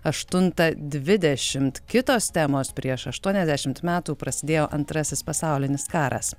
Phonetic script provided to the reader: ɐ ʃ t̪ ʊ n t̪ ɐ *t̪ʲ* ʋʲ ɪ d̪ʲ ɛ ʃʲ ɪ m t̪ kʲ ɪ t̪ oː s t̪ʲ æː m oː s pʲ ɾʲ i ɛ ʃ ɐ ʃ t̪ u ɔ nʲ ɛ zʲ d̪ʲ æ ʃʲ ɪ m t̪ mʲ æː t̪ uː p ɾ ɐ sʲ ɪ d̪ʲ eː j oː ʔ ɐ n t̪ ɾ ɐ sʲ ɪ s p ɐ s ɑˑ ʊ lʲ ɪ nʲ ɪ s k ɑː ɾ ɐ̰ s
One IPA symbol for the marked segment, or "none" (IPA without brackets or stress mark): d̪ʲ